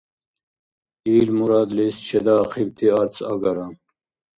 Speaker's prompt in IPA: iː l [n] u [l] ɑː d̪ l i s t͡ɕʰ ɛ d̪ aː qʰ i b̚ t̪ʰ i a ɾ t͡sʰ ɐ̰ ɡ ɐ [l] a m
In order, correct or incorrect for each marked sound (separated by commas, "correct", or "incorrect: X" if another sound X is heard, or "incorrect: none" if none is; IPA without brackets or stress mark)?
incorrect: m, incorrect: ɾ, incorrect: ɾ